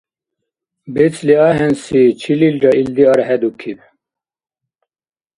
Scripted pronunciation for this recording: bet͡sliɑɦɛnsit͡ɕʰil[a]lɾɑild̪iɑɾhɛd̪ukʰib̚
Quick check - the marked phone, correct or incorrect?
incorrect